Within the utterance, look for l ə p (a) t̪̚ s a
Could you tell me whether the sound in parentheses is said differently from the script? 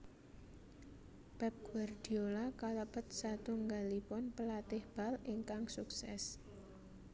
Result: yes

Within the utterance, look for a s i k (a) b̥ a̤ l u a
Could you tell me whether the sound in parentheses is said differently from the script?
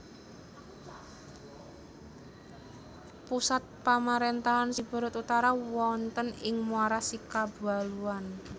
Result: no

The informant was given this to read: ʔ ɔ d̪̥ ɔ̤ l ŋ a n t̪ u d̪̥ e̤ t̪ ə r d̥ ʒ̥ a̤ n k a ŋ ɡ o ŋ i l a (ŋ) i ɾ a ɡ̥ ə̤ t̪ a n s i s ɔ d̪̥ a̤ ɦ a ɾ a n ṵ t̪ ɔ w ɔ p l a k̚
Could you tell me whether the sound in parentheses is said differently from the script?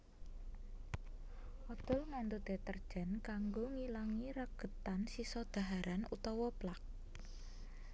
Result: no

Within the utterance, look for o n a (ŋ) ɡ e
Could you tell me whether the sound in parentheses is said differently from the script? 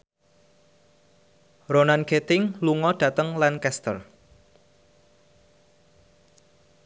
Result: yes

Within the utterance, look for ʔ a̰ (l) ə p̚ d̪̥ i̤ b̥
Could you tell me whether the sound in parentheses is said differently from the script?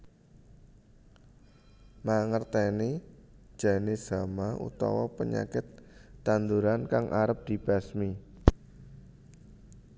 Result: yes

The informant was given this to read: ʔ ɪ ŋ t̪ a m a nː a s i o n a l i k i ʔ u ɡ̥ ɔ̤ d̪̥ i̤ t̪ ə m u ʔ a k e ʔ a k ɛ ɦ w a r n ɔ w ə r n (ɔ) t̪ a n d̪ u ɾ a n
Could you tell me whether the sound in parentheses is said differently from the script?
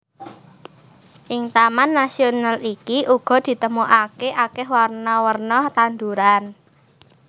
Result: no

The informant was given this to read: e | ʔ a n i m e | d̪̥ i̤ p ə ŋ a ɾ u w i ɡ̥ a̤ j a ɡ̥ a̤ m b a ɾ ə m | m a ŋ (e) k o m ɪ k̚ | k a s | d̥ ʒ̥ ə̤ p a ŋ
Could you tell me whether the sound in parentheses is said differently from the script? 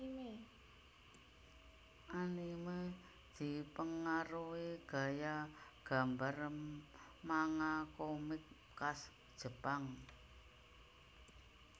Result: yes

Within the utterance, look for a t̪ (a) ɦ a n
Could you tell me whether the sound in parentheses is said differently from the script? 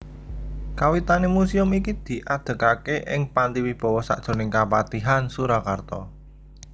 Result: yes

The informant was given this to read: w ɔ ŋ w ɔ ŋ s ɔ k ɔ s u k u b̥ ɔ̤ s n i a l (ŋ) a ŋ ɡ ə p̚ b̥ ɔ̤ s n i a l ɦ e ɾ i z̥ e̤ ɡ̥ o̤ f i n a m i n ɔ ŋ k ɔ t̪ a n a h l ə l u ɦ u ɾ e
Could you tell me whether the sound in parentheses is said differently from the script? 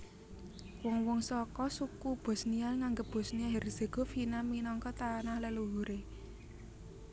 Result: no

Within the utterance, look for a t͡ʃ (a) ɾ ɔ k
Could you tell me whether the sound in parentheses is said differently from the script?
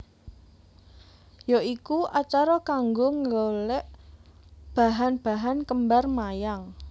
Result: no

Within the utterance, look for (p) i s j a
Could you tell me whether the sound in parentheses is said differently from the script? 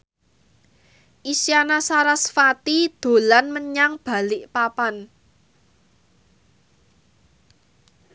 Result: yes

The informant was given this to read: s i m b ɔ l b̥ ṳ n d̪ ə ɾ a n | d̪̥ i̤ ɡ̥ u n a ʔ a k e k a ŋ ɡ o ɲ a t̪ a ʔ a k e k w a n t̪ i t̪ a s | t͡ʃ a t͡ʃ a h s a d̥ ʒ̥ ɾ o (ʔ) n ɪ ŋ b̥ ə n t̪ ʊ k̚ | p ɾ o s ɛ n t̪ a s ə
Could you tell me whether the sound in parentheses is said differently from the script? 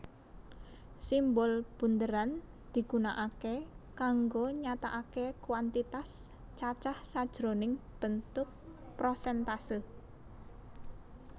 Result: yes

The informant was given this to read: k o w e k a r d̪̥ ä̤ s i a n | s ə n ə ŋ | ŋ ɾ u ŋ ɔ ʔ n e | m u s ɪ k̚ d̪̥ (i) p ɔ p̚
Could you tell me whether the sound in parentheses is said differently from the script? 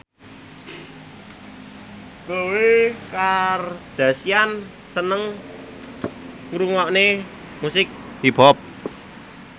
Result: no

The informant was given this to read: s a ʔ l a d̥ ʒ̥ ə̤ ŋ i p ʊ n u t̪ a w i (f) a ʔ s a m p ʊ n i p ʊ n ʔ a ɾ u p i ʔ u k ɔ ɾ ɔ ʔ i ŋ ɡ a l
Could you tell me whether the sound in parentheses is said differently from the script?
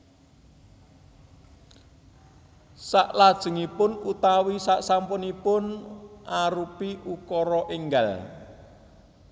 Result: yes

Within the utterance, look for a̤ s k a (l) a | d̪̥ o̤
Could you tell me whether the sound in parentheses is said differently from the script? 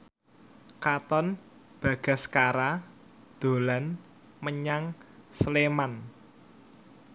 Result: yes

